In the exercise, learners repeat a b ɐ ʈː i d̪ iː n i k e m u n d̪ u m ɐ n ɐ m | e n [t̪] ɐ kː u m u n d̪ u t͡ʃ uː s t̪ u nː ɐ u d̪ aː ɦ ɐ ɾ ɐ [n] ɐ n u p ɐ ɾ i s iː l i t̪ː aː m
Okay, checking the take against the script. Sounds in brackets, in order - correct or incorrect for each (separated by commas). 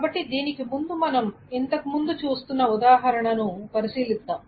correct, incorrect